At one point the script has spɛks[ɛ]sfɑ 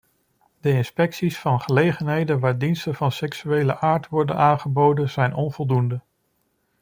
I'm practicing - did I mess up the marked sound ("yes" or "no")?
yes